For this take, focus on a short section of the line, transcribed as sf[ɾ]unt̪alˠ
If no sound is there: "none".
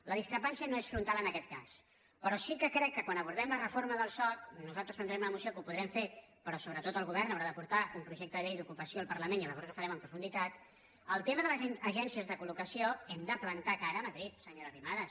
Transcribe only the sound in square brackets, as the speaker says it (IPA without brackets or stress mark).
ɾ